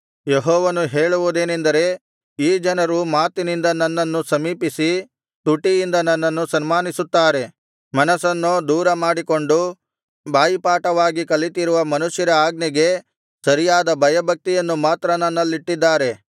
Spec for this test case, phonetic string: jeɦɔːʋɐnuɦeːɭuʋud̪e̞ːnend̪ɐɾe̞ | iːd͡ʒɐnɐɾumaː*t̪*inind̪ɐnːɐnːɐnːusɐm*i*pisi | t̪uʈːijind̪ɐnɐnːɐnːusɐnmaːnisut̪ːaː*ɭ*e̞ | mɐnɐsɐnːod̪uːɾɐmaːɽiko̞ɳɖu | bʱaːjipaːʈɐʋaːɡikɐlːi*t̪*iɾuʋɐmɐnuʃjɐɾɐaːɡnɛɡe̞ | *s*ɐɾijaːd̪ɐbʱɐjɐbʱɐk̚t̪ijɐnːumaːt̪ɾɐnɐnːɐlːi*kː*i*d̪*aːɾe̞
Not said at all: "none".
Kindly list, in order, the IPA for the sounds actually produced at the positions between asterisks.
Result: t̪, iː, ɾ, t̪, s, ʈː, d̪ː

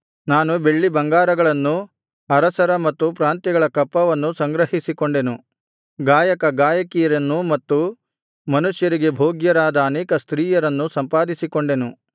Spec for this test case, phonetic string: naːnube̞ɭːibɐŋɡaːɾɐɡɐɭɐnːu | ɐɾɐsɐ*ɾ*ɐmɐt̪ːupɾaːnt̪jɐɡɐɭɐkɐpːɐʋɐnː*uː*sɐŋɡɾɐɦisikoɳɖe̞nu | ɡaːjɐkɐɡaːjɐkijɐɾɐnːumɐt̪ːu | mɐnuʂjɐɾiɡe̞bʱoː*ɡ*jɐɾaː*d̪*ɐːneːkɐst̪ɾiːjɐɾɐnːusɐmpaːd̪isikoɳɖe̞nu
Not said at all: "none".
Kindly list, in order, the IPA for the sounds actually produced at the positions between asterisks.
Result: ɾ, u, ɡ, d̪

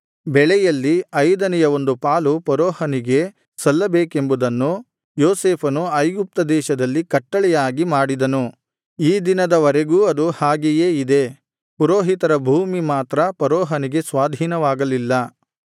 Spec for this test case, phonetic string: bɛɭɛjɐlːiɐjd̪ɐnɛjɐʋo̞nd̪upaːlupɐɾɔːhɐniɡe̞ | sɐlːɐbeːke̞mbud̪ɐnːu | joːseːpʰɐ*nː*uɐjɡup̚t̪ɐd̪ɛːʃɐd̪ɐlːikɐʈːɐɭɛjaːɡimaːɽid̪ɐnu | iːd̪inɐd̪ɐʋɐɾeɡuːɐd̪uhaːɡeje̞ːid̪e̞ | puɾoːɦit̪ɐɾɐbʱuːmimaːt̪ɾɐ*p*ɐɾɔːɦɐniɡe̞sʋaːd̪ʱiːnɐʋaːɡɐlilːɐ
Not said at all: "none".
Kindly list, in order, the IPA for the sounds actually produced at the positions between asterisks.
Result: n, p

